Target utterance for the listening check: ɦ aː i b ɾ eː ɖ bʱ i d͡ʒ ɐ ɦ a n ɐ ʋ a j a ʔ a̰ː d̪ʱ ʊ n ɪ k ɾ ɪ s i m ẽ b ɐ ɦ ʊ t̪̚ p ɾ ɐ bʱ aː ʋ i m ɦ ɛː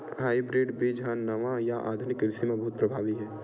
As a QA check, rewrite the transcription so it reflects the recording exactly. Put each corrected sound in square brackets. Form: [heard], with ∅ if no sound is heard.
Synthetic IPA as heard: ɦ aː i b ɾ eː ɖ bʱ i d͡ʒ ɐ ɦ a n ɐ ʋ a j a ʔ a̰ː d̪ʱ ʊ n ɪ k ɾ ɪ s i m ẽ b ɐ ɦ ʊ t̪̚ p ɾ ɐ bʱ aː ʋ i [∅] ɦ ɛː